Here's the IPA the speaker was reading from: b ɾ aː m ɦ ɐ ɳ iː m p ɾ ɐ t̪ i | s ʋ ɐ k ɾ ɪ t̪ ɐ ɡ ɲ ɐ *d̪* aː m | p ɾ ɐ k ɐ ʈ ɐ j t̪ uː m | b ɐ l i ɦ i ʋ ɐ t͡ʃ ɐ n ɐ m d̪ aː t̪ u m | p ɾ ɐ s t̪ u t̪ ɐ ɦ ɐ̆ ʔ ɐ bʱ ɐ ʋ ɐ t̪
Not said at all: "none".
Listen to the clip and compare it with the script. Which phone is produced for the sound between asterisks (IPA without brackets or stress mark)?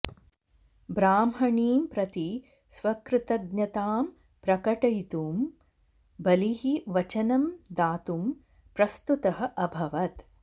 t̪